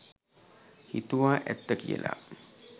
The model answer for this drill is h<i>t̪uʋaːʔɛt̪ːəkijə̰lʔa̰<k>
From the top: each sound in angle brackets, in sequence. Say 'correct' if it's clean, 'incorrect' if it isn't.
correct, incorrect: none

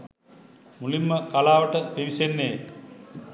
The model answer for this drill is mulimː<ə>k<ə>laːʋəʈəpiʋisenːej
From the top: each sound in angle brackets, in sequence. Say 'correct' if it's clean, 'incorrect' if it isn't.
correct, incorrect: a

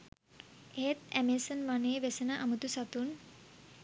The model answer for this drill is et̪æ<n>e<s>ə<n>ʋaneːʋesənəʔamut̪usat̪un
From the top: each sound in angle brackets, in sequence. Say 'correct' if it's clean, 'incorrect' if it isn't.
incorrect: m, correct, correct

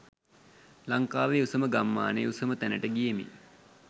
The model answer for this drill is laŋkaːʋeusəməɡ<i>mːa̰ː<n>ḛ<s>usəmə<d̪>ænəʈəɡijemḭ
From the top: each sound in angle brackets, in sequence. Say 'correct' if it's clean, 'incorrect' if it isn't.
incorrect: a, correct, incorrect: none, incorrect: t̪

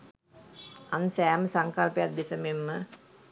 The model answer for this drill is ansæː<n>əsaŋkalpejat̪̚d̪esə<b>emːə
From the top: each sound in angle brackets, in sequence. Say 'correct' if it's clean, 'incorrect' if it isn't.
incorrect: m, incorrect: m

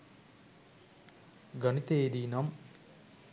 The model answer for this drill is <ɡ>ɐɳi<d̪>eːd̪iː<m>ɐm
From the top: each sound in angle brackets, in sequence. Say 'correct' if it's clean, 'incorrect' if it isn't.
correct, incorrect: t̪, incorrect: n

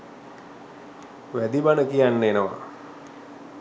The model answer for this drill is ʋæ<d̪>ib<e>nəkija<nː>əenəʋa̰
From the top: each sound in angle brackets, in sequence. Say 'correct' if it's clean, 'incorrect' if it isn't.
correct, incorrect: a, correct

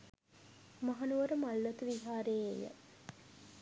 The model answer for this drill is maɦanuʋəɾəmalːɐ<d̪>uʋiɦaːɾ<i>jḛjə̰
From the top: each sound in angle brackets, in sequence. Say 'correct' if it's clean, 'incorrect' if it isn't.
incorrect: t̪, incorrect: e

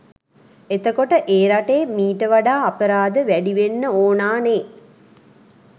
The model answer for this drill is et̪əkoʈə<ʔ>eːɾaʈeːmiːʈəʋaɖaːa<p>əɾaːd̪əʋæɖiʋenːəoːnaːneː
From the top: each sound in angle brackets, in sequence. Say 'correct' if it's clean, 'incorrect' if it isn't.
correct, correct

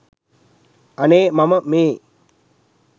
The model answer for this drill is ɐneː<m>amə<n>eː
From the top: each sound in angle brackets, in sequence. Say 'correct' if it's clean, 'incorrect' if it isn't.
correct, incorrect: m

